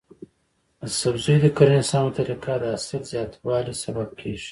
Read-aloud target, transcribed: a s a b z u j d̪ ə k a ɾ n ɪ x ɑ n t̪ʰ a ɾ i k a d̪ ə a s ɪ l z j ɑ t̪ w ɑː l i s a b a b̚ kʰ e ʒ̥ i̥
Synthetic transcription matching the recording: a s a b z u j d̪ ə k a ɾ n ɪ s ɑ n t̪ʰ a ɾ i k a d̪ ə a s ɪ l z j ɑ t̪ w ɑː l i s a b a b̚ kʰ e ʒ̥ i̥